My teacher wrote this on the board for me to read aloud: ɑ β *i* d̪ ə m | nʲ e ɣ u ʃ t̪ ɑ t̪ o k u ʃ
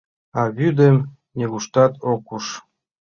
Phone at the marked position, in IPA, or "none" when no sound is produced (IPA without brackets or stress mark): y